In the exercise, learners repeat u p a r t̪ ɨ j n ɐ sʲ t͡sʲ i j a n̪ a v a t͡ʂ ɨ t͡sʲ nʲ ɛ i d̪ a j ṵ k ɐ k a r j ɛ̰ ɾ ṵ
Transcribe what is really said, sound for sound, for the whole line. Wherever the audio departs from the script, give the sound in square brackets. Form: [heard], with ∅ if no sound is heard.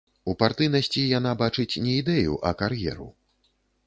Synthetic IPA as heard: u p a r t̪ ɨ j n ɐ sʲ t͡sʲ i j a n̪ a [b] a t͡ʂ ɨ t͡sʲ nʲ ɛ i d̪ [ɛ] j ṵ [ʔ] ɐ k a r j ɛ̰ ɾ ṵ